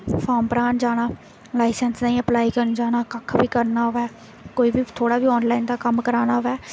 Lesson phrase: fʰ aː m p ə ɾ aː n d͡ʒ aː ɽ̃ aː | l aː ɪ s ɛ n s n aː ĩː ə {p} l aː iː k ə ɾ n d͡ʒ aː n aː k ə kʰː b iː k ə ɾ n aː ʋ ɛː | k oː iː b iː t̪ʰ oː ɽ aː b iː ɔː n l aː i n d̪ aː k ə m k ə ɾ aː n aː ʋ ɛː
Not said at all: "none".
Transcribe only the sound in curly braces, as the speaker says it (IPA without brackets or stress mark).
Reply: p